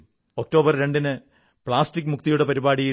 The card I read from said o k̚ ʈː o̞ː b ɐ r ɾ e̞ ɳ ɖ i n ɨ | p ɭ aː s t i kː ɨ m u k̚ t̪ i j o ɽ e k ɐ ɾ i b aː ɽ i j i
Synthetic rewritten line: o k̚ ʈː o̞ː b ɐ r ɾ e̞ ɳ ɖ i n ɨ | p ɭ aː s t i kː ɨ m u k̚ t̪ i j u ɽ e p ɐ ɾ i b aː ɽ i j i